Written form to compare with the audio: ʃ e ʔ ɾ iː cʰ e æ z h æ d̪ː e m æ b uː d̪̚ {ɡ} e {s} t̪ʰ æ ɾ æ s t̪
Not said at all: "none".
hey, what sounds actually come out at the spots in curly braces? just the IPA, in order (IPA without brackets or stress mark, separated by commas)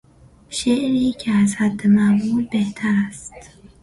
b, h